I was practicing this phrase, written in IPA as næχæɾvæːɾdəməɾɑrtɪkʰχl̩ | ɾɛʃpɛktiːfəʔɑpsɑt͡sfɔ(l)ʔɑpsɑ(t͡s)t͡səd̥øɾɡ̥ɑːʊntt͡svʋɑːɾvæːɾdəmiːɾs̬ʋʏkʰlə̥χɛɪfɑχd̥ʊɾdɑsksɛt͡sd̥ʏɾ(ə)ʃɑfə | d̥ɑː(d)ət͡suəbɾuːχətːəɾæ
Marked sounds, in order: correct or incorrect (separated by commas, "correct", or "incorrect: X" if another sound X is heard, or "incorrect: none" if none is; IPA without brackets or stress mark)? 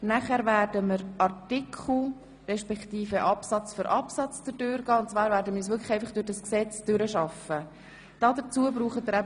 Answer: incorrect: ɾ, correct, correct, correct